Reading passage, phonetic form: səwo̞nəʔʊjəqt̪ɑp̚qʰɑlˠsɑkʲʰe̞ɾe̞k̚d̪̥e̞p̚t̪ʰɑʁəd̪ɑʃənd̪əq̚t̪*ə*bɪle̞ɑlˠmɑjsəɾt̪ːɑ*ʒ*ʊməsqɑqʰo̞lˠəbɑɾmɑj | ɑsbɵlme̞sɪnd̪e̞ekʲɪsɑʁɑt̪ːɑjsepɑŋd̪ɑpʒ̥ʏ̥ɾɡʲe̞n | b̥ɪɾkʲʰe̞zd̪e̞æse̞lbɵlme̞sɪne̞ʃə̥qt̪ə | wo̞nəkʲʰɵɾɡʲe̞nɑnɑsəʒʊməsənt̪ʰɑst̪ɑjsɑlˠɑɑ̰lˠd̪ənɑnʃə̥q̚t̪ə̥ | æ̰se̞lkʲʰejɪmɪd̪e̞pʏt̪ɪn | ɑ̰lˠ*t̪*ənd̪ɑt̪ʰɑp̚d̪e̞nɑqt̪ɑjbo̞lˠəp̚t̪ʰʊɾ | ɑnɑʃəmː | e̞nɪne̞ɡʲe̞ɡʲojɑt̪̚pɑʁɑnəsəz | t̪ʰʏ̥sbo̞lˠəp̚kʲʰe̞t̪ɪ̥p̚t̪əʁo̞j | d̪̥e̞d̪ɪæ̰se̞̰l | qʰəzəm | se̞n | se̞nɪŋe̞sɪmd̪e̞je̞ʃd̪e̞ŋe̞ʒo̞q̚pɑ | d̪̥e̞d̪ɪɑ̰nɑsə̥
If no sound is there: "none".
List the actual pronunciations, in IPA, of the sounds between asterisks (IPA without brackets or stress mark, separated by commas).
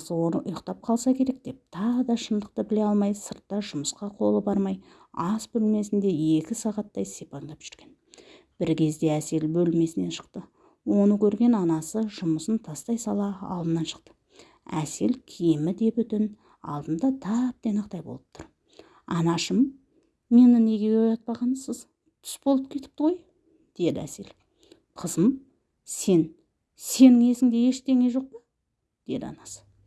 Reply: ə, ʒ, d̪